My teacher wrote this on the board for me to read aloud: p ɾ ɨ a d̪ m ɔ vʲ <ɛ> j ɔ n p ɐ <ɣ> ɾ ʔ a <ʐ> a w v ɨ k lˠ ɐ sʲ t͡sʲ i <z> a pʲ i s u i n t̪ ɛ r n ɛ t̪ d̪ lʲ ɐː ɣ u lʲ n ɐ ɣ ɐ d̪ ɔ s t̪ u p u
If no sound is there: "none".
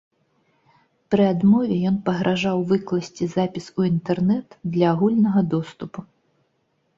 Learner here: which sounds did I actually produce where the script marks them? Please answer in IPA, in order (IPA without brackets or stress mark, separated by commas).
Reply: ɛ, ɣ, ʐ, z